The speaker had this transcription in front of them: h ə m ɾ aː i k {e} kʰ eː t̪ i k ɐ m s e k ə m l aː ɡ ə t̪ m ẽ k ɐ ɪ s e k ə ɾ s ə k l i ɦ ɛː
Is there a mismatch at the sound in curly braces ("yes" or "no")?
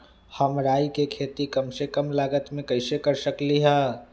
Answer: no